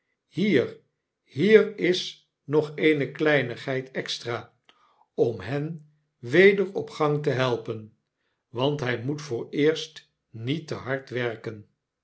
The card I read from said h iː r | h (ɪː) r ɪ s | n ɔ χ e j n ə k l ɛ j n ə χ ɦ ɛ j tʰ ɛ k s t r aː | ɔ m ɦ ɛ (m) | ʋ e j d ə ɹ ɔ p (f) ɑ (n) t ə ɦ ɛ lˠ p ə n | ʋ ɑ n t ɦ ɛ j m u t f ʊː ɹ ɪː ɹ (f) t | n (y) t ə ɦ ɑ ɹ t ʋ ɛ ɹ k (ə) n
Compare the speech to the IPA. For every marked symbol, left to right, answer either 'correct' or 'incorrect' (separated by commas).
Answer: incorrect, incorrect, incorrect, incorrect, incorrect, incorrect, correct